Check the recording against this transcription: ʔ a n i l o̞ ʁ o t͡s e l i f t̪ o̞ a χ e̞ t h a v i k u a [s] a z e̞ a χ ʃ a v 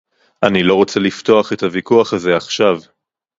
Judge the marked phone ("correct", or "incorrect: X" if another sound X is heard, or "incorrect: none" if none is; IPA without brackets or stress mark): incorrect: χ